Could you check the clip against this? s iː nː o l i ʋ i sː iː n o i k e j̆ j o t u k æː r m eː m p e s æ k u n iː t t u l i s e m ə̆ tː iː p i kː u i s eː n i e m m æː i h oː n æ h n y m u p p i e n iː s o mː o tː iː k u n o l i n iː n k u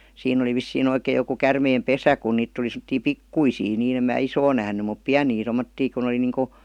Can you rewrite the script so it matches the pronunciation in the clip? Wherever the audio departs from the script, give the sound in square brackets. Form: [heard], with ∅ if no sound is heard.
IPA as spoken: s iː nː o l i ʋ i sː iː n o i k e j̆ j o [k] u k [æ] r m eː m p e s æ k u n iː t t u l i s e m ə̆ tː iː p i kː u i s [iː] n [iː] e m m æː i [s] oː n æ h n y m u p p i [æ] n iː [t] o mː o tː iː k u n o l i n iː [ŋ] k u